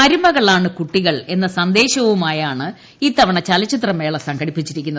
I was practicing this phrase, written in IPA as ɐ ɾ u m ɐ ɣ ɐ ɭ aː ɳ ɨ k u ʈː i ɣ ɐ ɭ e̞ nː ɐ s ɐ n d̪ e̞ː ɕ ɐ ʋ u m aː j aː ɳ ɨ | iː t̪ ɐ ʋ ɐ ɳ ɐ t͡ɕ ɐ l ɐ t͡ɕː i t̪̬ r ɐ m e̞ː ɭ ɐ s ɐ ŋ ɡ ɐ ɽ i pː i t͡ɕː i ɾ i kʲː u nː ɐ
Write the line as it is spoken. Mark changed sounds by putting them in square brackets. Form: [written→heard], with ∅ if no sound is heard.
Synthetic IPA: ɐ ɾ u m ɐ ɣ ɐ ɭ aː ɳ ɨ k u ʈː i ɣ ɐ ɭ e̞ nː ɐ s ɐ n d̪ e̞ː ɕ ɐ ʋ u m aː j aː ɳ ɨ | iː t̪ ɐ ʋ ɐ ɳ ɐ t͡ɕ ɐ l ɐ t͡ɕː i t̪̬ r ɐ m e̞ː ɭ ɐ s ɐ ŋ ɡ ɐ ɽ i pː i t͡ɕː i ɾ i kʲː u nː ɐ